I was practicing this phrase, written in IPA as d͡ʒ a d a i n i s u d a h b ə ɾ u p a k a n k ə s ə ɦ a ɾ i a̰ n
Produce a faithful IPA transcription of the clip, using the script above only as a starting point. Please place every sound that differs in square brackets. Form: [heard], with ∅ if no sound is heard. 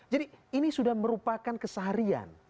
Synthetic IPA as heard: d͡ʒ a d [i] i n i s u d a h [m] ə ɾ u p a k a n k ə s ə ɦ a ɾ i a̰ n